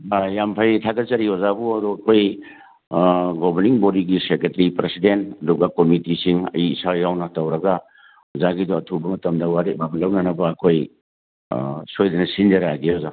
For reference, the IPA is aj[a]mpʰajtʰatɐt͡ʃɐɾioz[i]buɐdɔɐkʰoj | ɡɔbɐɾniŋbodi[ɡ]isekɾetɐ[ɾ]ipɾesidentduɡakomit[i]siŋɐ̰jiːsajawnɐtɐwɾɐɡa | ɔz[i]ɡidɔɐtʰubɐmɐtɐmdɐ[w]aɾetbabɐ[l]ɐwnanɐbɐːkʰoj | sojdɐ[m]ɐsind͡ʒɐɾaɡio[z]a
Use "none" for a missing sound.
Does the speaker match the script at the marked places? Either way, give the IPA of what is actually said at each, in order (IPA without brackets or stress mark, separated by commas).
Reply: a, a, ɡ, ɾ, i, a, w, l, n, z